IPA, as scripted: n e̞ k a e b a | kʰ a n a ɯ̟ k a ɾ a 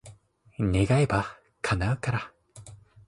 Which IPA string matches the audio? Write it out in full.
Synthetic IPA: n e̞ ɡ a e b a | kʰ a n a ɯ̟ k a ɾ a